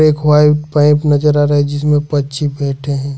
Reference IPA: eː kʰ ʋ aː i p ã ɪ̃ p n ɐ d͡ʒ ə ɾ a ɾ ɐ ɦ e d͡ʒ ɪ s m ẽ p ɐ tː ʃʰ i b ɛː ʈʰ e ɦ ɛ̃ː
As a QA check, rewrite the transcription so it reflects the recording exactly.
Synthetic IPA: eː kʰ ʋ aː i p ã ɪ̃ p n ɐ d͡ʒ ə ɾ a ɾ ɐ ɦ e d͡ʒ ɪ s m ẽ p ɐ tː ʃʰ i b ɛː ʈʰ e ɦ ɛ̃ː